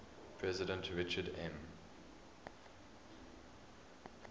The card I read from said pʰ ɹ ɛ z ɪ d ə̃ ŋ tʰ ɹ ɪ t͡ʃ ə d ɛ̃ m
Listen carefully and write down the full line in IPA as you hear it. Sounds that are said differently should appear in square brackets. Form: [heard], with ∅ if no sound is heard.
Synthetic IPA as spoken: pʰ ɹ ɛ z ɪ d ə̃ [n] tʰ ɹ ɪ t͡ʃ ə d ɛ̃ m